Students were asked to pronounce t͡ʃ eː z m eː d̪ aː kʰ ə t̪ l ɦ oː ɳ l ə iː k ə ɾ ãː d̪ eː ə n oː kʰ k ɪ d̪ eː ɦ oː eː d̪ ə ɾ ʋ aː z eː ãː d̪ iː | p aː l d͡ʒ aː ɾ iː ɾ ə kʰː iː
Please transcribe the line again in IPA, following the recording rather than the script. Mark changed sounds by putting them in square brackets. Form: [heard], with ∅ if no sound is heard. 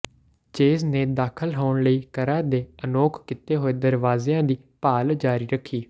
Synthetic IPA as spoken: t͡ʃ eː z [n] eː d̪ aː kʰ ə [∅] l ɦ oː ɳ l ə iː k ə ɾ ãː d̪ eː ə n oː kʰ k ɪ [t̪] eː ɦ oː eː d̪ ə ɾ ʋ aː z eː ãː d̪ iː | p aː l d͡ʒ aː ɾ iː ɾ ə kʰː iː